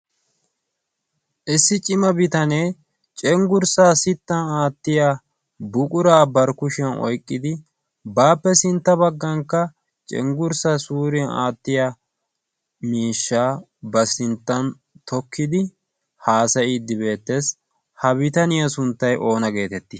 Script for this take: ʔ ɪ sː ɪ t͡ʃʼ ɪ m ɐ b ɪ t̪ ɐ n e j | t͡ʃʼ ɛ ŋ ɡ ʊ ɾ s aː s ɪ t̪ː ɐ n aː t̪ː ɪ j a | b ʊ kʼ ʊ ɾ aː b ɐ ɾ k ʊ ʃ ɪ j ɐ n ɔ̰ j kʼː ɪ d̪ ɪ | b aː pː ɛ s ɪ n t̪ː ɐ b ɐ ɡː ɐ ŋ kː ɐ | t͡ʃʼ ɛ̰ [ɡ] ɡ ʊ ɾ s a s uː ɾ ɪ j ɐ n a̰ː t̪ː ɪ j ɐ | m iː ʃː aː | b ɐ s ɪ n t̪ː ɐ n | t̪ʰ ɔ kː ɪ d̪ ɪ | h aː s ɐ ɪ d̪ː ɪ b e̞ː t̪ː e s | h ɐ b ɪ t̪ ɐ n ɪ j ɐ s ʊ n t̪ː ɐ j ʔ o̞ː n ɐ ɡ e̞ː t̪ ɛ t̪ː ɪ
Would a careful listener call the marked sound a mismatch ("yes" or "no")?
yes